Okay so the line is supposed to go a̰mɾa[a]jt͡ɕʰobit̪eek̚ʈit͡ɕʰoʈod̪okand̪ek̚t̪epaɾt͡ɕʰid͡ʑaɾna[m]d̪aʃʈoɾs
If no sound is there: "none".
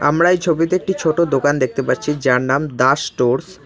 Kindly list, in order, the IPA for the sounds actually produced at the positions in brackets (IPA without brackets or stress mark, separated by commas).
e, m